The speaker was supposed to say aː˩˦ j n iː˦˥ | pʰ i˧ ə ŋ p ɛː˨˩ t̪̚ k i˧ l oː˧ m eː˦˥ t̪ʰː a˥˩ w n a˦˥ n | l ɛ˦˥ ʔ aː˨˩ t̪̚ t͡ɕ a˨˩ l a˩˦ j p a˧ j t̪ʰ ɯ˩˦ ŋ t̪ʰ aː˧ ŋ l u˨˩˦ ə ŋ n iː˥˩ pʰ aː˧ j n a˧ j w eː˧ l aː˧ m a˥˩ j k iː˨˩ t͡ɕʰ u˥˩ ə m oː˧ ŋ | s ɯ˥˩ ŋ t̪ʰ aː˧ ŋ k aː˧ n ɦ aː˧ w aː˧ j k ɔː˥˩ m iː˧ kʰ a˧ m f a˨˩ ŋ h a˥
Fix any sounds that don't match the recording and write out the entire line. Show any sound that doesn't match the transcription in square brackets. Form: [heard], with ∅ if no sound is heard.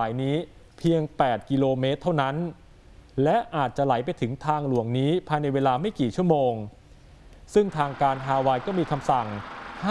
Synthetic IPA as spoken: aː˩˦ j n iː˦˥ | pʰ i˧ ə ŋ p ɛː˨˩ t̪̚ k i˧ l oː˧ m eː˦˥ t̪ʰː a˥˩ w n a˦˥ n | l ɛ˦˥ ʔ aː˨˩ t̪̚ t͡ɕ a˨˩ l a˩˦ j p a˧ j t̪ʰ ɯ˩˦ ŋ t̪ʰ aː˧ ŋ l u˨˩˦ ə ŋ n [iː˦˥] pʰ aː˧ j n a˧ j w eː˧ l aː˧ m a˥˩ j k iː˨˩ t͡ɕʰ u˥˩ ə m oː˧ ŋ | s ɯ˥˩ ŋ t̪ʰ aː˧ ŋ k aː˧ n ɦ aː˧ w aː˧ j k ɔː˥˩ m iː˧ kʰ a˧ m [s] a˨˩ ŋ h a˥